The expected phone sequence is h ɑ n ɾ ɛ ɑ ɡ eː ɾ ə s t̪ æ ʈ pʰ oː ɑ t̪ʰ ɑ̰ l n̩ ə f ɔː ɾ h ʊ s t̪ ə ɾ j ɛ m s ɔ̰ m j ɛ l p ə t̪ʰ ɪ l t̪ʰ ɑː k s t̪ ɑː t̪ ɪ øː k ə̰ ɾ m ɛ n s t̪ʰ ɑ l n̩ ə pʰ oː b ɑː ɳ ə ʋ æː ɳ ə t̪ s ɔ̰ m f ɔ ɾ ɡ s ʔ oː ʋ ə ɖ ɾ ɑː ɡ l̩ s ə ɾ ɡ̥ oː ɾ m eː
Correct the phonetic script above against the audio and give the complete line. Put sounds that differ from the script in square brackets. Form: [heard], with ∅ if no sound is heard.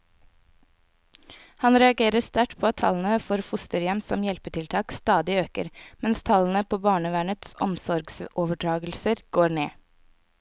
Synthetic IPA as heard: h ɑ n ɾ ɛ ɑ ɡ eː ɾ ə s t̪ æ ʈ pʰ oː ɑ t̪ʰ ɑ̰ l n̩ ə f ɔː ɾ [f] ʊ s t̪ ə ɾ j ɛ m s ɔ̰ m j ɛ l p ə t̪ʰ ɪ l t̪ʰ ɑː k s t̪ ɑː [d̪] ɪ øː k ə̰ ɾ m ɛ n s t̪ʰ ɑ l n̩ ə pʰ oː b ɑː ɳ ə ʋ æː ɳ ə t̪ s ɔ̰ m [s] ɔ ɾ ɡ s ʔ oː ʋ ə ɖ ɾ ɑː ɡ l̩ s ə ɾ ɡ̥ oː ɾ [ɳ] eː